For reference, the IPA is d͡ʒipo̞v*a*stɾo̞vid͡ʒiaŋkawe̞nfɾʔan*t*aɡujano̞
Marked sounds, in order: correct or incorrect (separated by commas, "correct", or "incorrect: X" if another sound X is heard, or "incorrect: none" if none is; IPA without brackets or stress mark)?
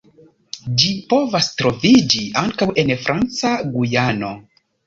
correct, incorrect: t͡s